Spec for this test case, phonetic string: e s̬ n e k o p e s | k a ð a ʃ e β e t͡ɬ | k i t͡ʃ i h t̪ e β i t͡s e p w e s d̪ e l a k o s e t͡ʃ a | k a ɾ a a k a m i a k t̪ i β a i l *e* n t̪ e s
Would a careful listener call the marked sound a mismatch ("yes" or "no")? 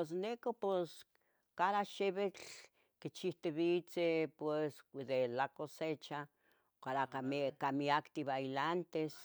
yes